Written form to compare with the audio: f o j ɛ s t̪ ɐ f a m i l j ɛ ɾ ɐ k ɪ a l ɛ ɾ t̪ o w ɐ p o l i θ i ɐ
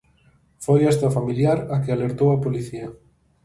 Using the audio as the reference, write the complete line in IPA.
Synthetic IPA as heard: f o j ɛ s t̪ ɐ f a m i l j a ɾ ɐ k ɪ a l e ɾ t̪ o w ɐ p o l i θ i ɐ